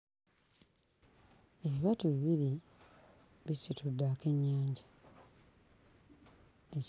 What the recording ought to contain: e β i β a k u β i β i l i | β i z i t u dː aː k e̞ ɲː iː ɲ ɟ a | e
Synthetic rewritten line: e β i β a t u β i β i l i | β i s i t u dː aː k e̞ ɲː aː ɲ ɟ a | e